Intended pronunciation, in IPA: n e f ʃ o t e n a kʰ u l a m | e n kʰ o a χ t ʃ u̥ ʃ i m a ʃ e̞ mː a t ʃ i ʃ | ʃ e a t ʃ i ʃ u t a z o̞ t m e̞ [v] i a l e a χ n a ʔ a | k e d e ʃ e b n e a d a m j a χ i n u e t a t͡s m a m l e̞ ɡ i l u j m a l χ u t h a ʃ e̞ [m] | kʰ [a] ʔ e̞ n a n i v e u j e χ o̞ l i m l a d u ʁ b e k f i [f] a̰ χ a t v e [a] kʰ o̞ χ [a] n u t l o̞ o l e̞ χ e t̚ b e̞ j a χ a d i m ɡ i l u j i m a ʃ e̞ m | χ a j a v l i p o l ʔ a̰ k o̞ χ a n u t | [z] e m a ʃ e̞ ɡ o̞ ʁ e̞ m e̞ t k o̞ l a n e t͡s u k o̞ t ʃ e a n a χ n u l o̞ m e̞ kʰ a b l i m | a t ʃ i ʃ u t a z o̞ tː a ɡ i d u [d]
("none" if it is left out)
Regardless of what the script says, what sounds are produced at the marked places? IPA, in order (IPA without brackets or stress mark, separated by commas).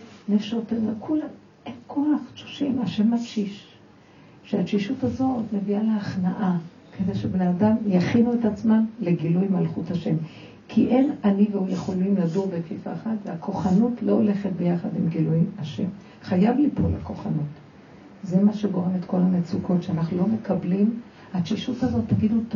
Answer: v, m, i, f, a, a, z, t